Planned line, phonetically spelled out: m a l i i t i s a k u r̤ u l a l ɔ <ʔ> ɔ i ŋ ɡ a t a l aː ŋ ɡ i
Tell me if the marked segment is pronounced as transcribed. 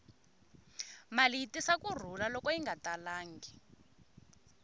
no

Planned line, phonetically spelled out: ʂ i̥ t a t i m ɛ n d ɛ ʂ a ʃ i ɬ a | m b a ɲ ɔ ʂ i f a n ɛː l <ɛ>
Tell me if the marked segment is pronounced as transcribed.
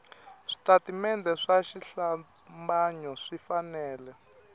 yes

